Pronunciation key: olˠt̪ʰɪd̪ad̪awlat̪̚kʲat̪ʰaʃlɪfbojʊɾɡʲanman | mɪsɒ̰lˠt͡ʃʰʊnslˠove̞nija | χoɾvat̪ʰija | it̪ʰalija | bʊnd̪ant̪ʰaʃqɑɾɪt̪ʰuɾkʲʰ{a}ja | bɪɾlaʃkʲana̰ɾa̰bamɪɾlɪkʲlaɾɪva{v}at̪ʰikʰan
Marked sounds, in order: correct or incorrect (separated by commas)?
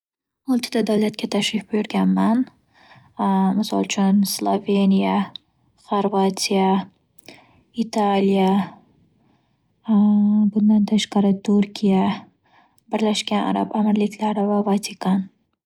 incorrect, correct